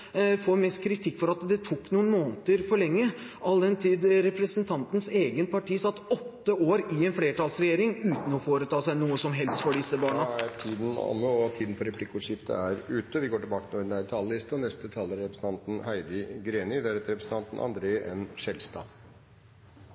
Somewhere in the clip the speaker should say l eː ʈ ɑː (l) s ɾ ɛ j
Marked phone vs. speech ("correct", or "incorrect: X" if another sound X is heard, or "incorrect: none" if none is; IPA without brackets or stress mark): correct